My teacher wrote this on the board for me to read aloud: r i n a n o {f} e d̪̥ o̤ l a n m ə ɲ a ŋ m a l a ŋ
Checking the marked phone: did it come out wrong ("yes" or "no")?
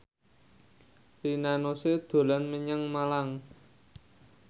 yes